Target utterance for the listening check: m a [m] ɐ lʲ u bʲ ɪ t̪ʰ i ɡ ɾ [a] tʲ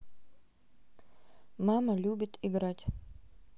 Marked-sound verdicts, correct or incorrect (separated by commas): correct, correct